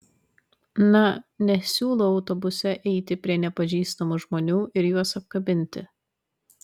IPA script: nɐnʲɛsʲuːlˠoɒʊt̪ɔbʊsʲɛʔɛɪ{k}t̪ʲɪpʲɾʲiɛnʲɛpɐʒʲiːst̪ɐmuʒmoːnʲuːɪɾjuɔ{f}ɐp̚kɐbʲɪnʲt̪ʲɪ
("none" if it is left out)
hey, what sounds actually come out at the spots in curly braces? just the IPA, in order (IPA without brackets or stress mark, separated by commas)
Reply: none, s